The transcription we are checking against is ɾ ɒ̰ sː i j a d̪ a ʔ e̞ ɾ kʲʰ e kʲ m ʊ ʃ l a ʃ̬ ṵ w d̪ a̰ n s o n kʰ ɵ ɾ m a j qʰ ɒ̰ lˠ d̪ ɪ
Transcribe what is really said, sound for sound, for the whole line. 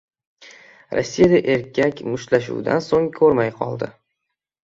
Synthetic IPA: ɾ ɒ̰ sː i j a d̪ a ʔ e̞ ɾ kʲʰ a kʲ m ʊ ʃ l a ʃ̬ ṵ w d̪ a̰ n s o ŋ kʰ ɵ ɾ m a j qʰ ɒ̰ lˠ d̪ ɪ

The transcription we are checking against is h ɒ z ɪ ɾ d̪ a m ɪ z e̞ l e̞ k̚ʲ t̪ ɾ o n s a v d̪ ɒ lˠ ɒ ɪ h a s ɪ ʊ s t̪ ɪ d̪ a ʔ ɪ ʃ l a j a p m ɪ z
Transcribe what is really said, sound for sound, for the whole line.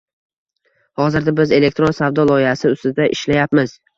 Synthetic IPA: h ɒ z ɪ ɾ d̪ a b ɪ z e̞ l e̞ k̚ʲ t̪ ɾ o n s a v d̪ ɒ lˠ ɒ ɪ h a s ɪ ʊ s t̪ ɪ d̪ a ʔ ɪ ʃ l a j a p m ɪ z

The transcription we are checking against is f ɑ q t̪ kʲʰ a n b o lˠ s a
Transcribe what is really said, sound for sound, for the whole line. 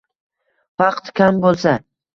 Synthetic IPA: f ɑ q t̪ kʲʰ a m b o lˠ s a

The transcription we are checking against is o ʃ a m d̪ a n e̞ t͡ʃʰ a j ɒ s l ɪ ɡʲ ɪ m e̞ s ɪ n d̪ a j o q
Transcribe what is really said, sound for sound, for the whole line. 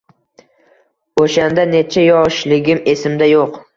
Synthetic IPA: o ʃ a n d̪ a n e̞ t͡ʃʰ a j ɒ ʃ l ɪ ɡʲ ɪ m e̞ s ɪ m d̪ a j o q

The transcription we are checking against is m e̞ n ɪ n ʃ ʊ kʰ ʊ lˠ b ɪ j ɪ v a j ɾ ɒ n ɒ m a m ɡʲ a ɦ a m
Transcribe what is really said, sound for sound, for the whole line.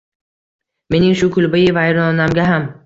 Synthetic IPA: m e̞ n ɪ ŋ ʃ ʊ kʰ ʊ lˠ b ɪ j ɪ v a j ɾ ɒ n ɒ n a m ɡʲ a ɦ a m

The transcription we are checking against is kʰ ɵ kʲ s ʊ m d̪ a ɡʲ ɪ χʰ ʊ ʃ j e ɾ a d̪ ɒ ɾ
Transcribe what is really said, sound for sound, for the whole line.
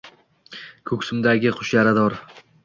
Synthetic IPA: kʰ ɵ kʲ s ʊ m d̪ a ɡʲ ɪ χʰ ʊ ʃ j a ɾ a d̪ ɒ ɾ

